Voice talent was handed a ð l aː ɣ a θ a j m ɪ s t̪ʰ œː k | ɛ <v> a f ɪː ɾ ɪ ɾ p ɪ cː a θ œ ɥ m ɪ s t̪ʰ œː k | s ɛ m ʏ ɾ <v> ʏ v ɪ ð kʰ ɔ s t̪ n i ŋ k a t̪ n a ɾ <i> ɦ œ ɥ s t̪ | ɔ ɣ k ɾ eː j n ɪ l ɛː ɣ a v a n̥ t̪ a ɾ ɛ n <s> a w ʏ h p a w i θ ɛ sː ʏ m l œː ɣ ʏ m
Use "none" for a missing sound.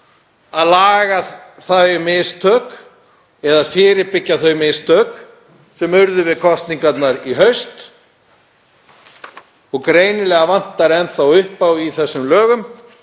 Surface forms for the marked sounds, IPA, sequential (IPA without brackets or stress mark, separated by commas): ð, ð, i, θ